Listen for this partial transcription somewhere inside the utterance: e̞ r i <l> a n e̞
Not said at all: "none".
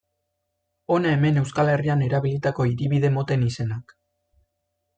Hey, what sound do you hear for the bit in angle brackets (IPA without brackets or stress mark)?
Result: none